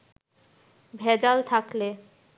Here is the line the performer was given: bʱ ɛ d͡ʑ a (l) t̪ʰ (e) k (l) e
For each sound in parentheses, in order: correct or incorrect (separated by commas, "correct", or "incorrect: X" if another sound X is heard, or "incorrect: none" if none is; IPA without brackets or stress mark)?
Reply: correct, incorrect: a, correct